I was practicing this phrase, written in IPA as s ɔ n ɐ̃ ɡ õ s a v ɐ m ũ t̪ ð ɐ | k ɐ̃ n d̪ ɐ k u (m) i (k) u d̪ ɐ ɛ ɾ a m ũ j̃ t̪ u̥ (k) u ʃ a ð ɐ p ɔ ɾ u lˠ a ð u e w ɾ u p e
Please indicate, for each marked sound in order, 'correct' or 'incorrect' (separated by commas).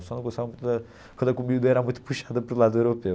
correct, incorrect, incorrect